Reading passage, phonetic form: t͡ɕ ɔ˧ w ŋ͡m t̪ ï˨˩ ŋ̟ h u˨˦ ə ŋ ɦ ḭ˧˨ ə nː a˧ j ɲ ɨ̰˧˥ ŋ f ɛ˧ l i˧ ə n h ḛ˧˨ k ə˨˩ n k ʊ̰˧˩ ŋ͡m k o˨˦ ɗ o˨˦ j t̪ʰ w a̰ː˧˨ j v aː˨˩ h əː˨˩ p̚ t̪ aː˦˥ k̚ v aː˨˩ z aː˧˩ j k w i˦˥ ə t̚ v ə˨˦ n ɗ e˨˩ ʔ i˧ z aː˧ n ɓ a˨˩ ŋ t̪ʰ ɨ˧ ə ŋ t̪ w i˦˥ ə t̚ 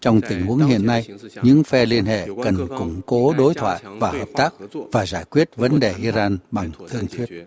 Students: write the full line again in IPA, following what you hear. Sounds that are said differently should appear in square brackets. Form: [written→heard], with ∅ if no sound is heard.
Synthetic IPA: t͡ɕ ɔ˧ w ŋ͡m t̪ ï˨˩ ŋ̟ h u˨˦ ə ŋ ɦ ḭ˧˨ ə nː a˧ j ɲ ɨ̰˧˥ ŋ f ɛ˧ l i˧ ə n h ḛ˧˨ k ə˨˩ n k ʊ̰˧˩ ŋ͡m k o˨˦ ɗ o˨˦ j t̪ʰ w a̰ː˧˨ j v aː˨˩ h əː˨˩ p̚ t̪ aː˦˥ k̚ v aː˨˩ z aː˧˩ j k w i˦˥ ə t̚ v ə˨˦ n ɗ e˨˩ ʔ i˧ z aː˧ n ɓ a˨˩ ŋ t̪ʰ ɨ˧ ə ŋ [t̪→t̪ʰ] w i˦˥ ə t̚